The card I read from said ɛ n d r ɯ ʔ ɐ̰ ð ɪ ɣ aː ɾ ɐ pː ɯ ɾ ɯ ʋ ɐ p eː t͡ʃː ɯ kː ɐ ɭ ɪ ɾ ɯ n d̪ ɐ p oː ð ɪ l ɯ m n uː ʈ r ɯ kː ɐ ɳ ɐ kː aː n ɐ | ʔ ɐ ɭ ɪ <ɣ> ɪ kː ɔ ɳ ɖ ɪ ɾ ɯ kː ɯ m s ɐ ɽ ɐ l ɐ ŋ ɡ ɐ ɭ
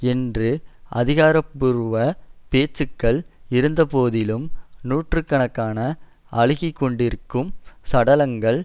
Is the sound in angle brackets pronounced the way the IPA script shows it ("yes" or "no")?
yes